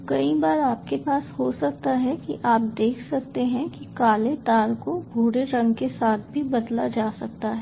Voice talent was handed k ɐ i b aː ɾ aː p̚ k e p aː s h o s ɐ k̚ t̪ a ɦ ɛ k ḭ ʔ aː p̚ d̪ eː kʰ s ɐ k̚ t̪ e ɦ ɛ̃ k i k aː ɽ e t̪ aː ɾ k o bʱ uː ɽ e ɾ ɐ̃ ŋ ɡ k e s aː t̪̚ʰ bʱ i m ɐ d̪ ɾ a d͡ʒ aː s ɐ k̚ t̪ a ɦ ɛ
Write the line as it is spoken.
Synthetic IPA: k ɐ i b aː ɾ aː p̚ k e p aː s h o s ɐ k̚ t̪ a ɦ ɛ k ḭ ʔ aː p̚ d̪ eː kʰ s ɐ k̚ t̪ e ɦ ɛ̃ k i k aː l e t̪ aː ɾ k o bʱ uː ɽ e ɾ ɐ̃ ŋ ɡ k e s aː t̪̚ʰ bʱ i b ɐ d̪ l a d͡ʒ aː s ɐ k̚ t̪ a ɦ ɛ

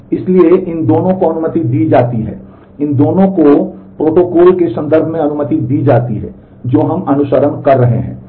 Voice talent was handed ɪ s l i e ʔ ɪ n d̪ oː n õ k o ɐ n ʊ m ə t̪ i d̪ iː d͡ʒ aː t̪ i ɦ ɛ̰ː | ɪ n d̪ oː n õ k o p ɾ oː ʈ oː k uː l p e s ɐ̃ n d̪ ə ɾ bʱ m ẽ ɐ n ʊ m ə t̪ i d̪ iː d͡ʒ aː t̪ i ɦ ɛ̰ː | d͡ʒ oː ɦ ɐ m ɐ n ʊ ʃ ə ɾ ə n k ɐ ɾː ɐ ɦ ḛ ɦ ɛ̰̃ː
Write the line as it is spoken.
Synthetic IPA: ɪ s l i e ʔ ɪ n d̪ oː n õ k o ɐ n ʊ m ə t̪ i d̪ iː d͡ʒ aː t̪ i ɦ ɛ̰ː | ɪ n d̪ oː n õ k o p ɾ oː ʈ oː k ɔː l k e s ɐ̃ n d̪ ə ɾ bʱ m ẽ ɐ n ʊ m ə t̪ i d̪ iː d͡ʒ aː t̪ i ɦ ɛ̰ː | d͡ʒ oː ɦ ɐ m ɐ n ʊ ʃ ə ɾ ə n k ɐ ɾː ɐ ɦ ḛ ɦ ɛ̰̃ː

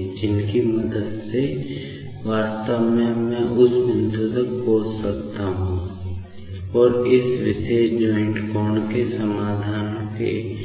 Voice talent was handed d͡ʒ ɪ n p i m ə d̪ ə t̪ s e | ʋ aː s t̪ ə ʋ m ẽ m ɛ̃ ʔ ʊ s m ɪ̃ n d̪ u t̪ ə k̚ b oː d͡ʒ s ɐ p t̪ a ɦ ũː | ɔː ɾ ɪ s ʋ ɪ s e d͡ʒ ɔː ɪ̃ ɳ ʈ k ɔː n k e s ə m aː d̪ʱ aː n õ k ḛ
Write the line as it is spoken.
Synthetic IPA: d͡ʒ ɪ n k i m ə d̪ ə d̪ s e | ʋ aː s t̪ ə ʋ m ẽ m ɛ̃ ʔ ʊ s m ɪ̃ n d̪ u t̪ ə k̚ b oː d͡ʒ s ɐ k t̪ a ɦ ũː | ɔː ɾ ɪ s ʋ ɪ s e d͡ʒ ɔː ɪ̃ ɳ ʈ k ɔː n k e s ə m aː d̪ʱ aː n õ k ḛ

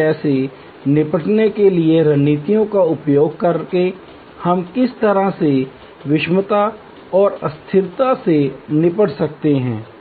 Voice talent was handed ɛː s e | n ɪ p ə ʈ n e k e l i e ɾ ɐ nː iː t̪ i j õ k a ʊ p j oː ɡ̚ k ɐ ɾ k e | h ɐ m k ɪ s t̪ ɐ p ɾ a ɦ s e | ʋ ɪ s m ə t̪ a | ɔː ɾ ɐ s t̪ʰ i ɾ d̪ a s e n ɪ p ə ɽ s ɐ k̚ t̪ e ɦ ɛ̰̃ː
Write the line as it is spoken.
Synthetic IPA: ɛː s e | n ɪ p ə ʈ n e k e l i e ɾ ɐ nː iː t̪ i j õ k a ʊ p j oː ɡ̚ k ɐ ɾ k e | h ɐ m k ɪ s t̪ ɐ ɾ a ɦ s e | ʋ ɪ ʃ m ə t̪ a | ɔː ɾ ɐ s t̪ʰ ɪ ɾ t̪ a s e n ɪ p ə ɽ s ɐ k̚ t̪ e ɦ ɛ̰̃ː

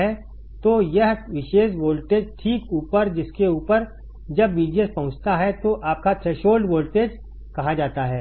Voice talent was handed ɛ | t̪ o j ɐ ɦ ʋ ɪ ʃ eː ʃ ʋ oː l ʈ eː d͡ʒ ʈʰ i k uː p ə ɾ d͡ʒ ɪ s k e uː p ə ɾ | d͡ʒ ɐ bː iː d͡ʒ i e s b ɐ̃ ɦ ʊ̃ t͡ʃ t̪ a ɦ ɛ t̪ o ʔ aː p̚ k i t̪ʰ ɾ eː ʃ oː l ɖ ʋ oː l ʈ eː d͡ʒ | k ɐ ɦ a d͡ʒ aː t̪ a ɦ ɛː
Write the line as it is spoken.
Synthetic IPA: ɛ | t̪ o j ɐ ɦ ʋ ɪ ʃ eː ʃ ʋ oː l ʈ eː d͡ʒ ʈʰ iː k uː p ə ɾ d͡ʒ ɪ s k e uː p ə ɾ | d͡ʒ ɐ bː iː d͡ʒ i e s p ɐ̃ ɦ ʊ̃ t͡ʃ t̪ a ɦ ɛ t̪ o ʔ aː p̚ k a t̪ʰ ɾ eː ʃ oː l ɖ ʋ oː l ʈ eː d͡ʒ | k ɐ ɦ a d͡ʒ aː t̪ a ɦ ɛː

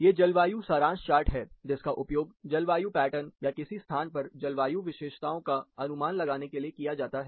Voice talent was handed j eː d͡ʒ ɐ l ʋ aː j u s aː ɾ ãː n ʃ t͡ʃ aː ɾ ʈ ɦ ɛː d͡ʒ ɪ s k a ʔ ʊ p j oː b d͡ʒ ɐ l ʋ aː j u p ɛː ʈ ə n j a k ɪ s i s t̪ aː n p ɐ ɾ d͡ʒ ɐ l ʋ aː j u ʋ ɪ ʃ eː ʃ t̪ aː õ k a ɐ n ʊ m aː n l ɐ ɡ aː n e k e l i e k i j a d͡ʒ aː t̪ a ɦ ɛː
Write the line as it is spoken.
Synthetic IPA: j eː d͡ʒ ɐ l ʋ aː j u s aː ɾ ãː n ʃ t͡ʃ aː ɾ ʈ ɦ ɛː d͡ʒ ɪ s k a ʔ ʊ p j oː ɡ d͡ʒ ɐ l ʋ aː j u p ɛː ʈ ə n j a k ɪ s i s t̪ʰ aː n p ɐ ɾ d͡ʒ ɐ l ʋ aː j u ʋ ɪ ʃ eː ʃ t̪ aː õ k a ɐ n ʊ m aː n l ɐ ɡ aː n e k e l i e k i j a d͡ʒ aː t̪ a ɦ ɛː

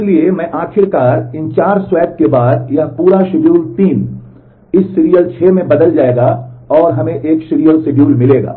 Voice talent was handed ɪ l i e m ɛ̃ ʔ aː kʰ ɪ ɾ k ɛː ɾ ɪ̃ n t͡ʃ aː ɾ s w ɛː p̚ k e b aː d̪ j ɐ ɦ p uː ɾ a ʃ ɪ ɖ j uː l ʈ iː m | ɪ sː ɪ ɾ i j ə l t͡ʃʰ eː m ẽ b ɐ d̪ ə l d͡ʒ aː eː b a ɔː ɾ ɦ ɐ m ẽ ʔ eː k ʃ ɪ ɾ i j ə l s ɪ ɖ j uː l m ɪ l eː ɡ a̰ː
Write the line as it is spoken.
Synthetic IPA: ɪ l i e m ɛ̃ ʔ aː kʰ ɪ ɾ k aː ɾ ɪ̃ n t͡ʃ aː ɾ s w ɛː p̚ k e b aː d̪ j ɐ ɦ p uː ɾ a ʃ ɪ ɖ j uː l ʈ iː m | ɪ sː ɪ ɾ i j ə l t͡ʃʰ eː m ẽ b ɐ d̪ ə l d͡ʒ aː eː ɡ a ɔː ɾ ɦ ɐ m ẽ ʔ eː k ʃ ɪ ɾ i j ə l s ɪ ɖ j uː l m ɪ l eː ɡ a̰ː

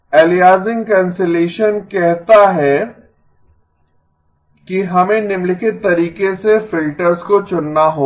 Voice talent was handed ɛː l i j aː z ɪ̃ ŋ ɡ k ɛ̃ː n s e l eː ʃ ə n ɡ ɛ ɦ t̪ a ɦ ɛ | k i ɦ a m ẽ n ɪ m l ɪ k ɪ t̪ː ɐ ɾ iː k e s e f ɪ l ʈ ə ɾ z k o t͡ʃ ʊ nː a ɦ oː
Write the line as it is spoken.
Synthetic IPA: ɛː l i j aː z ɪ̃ ŋ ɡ k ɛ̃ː n s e l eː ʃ ə n k ɛ ɦ t̪ a ɦ ɛ | k i ɦ ɐ m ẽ n ɪ m l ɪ k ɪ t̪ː ɐ ɾ iː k e s e f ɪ l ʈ ə ɾ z k o t͡ʃ ʊ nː a ɦ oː

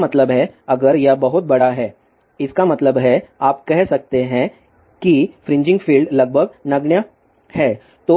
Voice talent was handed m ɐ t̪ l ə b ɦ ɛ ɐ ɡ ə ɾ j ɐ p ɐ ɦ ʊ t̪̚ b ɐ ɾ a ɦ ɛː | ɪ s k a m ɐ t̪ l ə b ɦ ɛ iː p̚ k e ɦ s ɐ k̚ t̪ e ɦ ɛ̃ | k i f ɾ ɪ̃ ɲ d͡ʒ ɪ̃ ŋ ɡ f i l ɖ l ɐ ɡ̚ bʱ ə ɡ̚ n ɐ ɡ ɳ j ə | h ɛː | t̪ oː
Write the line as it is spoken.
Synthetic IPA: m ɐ t̪ l ə b ɦ ɛ ɐ ɡ ə ɾ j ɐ b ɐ ɦ ʊ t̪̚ b ɐ ɽ a ɦ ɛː | ɪ s k a m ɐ t̪ l ə b ɦ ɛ aː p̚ k ɛ ɦ s ɐ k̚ t̪ e ɦ ɛ̃ | k i f ɾ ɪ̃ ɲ d͡ʒ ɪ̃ ŋ ɡ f iː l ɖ l ɐ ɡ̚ bʱ ə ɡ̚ n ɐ ɡ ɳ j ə | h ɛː | t̪ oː

